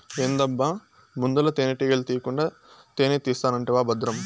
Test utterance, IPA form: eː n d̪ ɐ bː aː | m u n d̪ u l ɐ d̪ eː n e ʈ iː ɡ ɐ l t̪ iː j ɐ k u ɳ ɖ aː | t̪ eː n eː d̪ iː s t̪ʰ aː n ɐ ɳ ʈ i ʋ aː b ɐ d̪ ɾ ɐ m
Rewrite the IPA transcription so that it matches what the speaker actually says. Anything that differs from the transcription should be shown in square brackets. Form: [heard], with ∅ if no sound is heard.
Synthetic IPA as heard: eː n d̪ ɐ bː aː | m u n d̪ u l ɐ [t̪] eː n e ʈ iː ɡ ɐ l t̪ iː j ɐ k u ɳ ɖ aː | t̪ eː n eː [t̪] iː s [t̪] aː n ɐ ɳ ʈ i ʋ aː b ɐ d̪ ɾ ɐ m